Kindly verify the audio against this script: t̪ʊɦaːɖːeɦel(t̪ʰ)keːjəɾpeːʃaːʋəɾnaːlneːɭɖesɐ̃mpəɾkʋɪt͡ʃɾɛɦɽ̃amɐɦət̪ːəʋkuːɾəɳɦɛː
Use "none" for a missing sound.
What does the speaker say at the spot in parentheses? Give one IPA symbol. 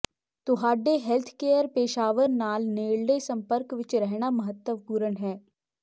t̪ʰ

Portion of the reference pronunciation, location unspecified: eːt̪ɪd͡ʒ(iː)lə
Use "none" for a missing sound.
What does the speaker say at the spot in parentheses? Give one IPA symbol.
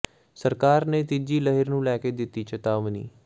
iː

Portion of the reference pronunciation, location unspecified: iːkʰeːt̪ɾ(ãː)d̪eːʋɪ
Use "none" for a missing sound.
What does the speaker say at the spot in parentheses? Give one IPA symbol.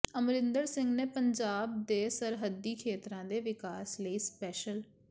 ãː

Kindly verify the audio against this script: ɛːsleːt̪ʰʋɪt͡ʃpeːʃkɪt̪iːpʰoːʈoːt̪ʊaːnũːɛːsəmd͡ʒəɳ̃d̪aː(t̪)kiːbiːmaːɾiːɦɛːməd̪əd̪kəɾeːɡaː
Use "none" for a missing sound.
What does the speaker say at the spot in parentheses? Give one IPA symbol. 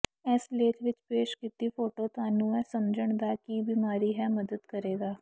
none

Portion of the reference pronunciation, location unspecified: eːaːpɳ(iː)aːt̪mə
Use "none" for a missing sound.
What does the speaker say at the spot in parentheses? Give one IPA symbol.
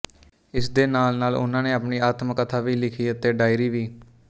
iː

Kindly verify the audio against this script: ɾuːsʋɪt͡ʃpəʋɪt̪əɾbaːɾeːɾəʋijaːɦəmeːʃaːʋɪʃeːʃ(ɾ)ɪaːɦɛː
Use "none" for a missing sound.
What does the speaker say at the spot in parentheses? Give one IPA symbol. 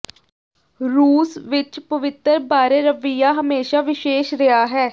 ɾ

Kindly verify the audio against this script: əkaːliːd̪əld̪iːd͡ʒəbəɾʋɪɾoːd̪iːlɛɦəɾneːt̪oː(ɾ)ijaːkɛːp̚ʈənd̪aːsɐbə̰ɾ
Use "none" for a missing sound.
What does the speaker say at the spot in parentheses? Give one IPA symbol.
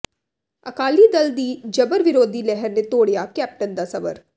ɽ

